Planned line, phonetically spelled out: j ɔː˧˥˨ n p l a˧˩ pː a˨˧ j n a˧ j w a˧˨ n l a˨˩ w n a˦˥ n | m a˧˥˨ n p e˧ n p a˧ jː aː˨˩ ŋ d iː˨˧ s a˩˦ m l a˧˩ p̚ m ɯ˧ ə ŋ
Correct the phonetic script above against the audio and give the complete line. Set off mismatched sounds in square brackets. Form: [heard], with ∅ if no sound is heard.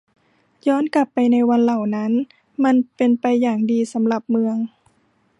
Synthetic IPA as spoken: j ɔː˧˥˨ n [k] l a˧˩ pː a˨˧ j n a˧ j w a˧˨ n l a˨˩ w n a˦˥ n | m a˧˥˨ n p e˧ n p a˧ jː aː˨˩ ŋ d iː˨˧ s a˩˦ m l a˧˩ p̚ m ɯ˧ ə ŋ